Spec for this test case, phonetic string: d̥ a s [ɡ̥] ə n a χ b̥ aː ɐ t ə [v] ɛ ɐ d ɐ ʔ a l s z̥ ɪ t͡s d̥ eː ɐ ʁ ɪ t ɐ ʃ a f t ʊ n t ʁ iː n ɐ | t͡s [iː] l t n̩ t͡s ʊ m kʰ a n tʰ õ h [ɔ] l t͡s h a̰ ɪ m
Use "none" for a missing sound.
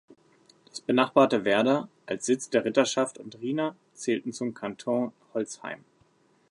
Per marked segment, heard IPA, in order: b̥, v, ɛː, ɔ

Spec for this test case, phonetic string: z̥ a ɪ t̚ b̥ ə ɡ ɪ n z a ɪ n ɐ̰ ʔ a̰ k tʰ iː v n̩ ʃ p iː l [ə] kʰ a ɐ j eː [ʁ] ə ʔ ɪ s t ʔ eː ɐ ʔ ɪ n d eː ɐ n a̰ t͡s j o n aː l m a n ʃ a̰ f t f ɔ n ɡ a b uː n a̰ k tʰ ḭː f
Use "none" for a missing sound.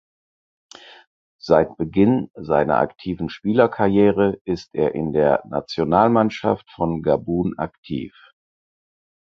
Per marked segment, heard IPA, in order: ɐ, ʁ

